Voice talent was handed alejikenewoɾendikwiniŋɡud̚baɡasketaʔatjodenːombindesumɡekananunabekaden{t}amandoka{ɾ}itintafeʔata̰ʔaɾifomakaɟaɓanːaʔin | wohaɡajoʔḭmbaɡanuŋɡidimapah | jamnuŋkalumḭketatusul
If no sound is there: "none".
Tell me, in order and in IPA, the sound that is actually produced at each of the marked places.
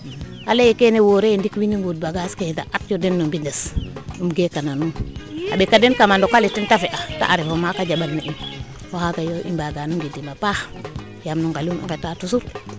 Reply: k, l

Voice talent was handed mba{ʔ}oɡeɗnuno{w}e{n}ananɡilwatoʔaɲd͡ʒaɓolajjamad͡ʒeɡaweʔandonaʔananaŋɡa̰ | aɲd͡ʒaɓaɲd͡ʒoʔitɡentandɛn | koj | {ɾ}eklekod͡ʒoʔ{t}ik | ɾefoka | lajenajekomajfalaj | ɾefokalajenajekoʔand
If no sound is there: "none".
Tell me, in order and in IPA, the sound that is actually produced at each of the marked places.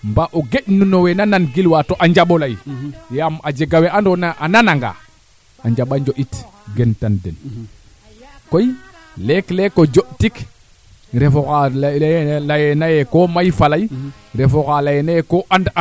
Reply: ʔ, w, n, l, t

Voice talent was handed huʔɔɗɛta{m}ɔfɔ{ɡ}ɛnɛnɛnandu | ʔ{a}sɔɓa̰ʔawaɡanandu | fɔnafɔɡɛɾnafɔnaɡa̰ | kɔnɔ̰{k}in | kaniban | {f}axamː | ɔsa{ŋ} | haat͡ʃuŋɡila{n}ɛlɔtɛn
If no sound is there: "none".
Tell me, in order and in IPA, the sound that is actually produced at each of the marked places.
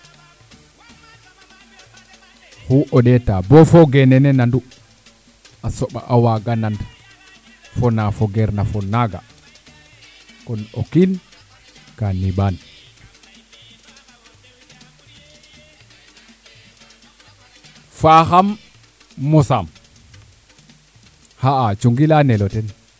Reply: b, ɡ, a, k, f, m, n

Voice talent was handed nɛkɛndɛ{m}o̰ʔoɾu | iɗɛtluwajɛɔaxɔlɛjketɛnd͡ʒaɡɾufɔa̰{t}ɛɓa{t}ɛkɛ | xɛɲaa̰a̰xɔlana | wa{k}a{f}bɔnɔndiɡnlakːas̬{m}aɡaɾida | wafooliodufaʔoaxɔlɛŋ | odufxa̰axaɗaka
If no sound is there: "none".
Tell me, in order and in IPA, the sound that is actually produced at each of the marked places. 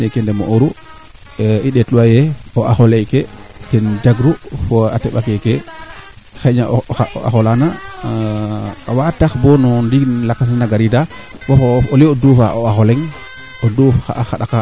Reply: m, t, k, t, x, n

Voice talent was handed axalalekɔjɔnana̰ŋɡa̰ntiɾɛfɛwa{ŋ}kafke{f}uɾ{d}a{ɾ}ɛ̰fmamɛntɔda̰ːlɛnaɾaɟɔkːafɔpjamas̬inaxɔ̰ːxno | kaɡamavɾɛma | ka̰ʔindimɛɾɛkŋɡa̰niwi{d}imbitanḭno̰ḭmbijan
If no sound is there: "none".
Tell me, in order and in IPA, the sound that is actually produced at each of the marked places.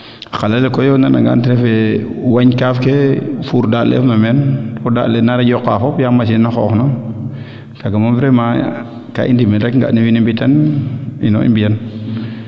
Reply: ɲ, f, d, l, n

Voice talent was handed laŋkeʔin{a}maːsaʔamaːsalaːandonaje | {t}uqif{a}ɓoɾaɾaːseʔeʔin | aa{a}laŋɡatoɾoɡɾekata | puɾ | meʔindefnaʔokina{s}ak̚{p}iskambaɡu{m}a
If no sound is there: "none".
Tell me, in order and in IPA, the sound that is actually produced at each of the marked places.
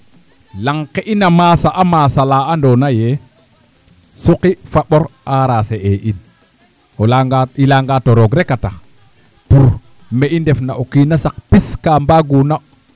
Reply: a, s, a, i, s, p, n

